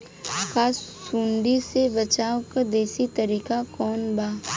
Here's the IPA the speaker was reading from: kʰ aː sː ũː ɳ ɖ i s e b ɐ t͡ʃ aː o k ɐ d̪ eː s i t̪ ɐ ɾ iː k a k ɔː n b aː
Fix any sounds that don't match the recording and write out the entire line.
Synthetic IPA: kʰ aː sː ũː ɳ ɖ i s e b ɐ t͡ʃ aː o k a d̪ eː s i t̪ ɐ ɾ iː k a k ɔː n b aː